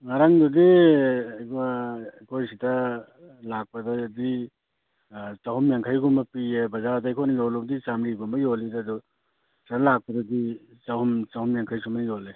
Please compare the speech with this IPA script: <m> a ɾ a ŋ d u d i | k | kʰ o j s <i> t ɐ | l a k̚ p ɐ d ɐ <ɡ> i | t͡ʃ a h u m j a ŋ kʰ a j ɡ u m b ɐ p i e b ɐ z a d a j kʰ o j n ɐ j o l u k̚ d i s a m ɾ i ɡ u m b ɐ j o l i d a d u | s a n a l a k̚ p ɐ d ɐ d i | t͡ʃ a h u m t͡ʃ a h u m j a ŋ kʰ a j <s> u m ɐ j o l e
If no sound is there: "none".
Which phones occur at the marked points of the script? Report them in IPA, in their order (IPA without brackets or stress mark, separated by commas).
ŋ, i, d, s